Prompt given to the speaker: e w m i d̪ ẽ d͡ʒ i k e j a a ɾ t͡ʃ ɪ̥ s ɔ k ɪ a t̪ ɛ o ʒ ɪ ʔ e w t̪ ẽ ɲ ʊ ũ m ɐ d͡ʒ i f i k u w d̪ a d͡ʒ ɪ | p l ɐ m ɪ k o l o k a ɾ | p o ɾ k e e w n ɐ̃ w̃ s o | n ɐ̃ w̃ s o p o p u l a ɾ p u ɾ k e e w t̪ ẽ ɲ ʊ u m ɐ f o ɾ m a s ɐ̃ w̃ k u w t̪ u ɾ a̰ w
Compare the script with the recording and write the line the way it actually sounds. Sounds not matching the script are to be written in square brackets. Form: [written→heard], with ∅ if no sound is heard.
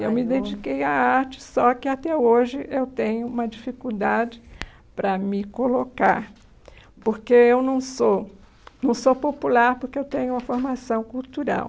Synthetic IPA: e w m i d̪ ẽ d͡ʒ i k e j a a ɾ t͡ʃ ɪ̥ s ɔ k ɪ a t̪ ɛ o ʒ ɪ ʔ e w t̪ ẽ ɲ ʊ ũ m ɐ d͡ʒ i f i k u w d̪ a d͡ʒ ɪ | p [l→ɾ] ɐ m ɪ k o l o k a ɾ | p o ɾ k e e w n ɐ̃ w̃ s o | n ɐ̃ w̃ s o p o p u l a ɾ p [u→o] ɾ k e e w t̪ ẽ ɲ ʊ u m ɐ f o ɾ m a s ɐ̃ w̃ k u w t̪ u ɾ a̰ w